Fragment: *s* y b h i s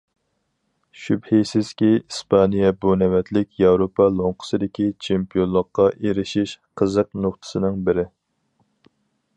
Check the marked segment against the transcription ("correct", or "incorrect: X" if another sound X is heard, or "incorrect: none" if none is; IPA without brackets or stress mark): incorrect: ʃ